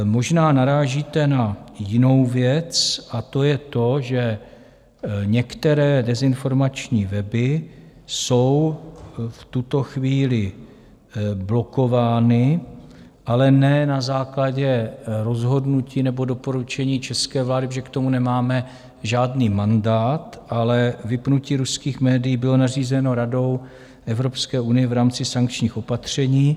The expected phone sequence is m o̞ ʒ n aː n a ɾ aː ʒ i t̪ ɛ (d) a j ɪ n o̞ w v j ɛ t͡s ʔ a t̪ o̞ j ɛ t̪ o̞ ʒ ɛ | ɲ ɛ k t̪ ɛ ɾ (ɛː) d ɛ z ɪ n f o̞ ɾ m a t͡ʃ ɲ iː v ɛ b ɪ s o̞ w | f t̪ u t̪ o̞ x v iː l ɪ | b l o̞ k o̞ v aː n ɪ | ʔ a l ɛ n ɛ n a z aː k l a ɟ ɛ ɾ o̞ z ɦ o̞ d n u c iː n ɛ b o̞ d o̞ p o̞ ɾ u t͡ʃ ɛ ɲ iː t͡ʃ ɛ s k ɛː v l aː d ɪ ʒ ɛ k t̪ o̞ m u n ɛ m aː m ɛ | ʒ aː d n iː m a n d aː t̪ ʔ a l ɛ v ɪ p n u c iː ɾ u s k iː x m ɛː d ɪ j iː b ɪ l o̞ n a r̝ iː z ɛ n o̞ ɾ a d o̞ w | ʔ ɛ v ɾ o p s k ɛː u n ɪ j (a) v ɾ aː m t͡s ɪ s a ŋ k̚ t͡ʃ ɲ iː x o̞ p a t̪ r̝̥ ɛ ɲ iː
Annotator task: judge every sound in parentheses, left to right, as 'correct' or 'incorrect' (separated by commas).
incorrect, correct, incorrect